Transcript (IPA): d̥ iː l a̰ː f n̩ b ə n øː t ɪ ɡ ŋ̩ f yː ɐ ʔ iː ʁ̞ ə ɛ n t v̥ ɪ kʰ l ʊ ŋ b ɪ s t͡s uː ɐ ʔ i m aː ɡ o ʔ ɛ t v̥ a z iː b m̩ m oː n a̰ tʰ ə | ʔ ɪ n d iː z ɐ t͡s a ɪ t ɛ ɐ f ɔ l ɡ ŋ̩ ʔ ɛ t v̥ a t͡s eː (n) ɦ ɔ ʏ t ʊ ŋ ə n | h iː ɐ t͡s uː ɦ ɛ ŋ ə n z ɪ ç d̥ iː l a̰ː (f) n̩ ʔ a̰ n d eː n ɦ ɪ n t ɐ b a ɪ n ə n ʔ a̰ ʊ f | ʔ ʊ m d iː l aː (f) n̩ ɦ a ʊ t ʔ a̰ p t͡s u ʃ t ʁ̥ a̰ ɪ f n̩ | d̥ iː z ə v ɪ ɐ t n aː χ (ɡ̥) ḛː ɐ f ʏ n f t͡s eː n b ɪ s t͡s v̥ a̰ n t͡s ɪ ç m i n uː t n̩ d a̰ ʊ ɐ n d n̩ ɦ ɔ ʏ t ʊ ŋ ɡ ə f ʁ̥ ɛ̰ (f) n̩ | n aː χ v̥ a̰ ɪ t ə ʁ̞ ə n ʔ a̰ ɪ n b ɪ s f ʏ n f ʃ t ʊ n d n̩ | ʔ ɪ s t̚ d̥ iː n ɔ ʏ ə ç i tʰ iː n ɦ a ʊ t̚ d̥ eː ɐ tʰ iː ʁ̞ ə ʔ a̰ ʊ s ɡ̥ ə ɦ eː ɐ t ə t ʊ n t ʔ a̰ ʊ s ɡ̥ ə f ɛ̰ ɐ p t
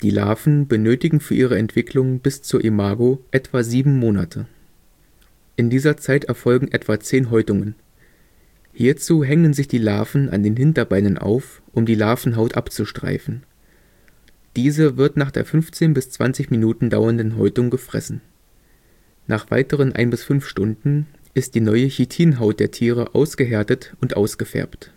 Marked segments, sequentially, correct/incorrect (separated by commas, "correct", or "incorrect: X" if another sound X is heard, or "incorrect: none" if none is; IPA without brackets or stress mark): correct, correct, correct, incorrect: d̥, incorrect: s